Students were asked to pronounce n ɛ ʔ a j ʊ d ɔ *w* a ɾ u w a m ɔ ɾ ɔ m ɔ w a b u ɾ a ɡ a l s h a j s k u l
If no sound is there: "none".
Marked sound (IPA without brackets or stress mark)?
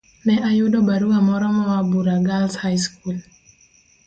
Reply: b